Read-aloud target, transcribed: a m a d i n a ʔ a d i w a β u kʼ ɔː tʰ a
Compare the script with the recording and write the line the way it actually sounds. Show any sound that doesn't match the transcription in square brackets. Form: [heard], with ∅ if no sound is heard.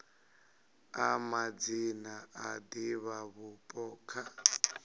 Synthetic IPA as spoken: a m a [d͡z] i n a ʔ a d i [β] a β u [pʼ] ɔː [kʰ] a